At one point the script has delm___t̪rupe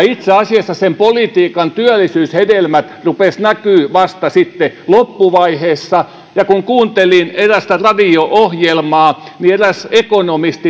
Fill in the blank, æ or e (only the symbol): æ